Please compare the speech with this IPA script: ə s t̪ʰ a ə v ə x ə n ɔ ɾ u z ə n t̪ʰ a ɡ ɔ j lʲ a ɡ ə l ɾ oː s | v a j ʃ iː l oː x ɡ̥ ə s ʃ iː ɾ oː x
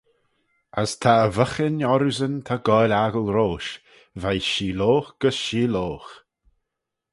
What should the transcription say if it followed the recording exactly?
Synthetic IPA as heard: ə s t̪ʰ a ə v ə x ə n ɔ ɾ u z ə n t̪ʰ a ɡ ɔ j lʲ a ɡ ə l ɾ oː ʃ | v a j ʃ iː l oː x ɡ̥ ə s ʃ iː l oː x